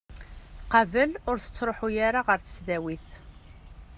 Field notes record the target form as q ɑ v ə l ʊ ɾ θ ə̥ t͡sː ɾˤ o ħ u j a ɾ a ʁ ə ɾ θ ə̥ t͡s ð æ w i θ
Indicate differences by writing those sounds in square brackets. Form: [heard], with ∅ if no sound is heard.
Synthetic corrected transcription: q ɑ v ə l ʊ ɾ θ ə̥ t͡sː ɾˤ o ħ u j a ɾ a ʁ ə ɾ θ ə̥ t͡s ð æ w i θ